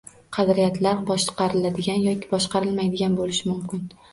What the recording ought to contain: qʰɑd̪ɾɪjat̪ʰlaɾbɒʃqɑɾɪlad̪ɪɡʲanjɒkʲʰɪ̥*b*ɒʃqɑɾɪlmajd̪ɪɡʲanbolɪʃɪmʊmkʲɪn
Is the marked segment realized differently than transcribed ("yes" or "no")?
no